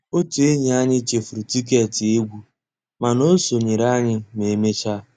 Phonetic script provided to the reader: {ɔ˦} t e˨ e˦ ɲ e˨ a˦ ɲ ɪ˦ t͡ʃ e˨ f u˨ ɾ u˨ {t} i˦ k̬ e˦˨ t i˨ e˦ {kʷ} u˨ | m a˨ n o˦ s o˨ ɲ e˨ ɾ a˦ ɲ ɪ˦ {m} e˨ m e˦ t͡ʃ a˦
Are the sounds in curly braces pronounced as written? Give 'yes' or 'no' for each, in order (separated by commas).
no, yes, no, yes